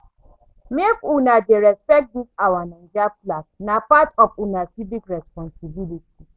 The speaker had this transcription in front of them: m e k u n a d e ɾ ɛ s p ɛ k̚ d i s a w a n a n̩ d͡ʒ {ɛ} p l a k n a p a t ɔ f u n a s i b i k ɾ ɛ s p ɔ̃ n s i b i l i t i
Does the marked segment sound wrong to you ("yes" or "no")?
yes